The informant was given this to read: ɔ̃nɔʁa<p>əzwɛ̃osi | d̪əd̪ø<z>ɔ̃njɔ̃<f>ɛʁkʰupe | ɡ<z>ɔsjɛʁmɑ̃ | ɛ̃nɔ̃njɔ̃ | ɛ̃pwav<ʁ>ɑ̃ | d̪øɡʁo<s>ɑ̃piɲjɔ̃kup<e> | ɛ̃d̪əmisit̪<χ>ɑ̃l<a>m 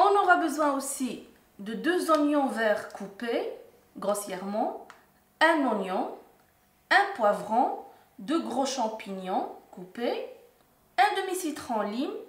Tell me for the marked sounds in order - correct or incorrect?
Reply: incorrect, correct, incorrect, incorrect, correct, incorrect, correct, correct, incorrect

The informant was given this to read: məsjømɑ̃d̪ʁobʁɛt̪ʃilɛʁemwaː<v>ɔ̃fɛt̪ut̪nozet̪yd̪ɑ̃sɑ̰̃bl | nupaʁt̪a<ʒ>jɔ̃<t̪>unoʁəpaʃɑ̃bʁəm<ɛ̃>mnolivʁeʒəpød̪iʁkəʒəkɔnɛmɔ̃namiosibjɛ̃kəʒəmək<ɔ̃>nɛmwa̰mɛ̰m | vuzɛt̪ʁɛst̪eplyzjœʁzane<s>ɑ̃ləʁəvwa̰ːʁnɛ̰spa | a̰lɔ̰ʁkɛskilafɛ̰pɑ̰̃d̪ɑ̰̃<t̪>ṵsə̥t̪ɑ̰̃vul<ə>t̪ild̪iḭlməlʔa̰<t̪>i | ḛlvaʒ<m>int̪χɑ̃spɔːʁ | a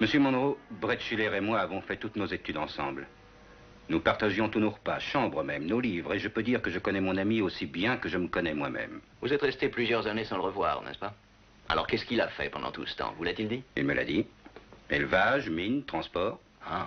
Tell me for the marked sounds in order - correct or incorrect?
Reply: correct, correct, correct, incorrect, incorrect, correct, correct, incorrect, incorrect, correct

